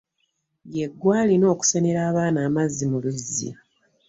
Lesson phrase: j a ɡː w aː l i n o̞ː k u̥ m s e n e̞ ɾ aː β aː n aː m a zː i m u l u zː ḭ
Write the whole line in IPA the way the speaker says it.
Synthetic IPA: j e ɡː w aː l i n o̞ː k u̥ s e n e̞ ɾ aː β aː n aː m a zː i m u l u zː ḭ